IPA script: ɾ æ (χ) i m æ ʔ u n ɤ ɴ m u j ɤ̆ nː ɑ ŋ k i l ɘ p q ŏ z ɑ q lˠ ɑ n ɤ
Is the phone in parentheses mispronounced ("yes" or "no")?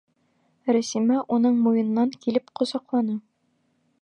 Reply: yes